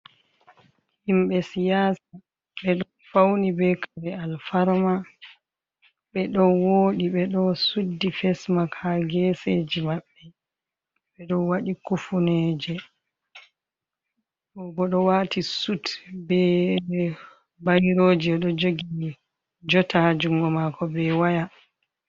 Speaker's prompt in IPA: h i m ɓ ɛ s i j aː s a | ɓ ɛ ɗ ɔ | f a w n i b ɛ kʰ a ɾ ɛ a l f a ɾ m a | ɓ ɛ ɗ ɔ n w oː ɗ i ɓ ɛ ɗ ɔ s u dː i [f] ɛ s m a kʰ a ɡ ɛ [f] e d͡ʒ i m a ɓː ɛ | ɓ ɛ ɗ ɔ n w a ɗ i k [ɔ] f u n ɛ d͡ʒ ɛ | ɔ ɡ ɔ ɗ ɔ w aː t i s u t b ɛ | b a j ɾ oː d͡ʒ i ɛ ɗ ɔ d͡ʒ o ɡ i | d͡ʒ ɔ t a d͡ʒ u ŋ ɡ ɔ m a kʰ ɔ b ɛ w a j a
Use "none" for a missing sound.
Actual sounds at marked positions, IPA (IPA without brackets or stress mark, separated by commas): f, s, u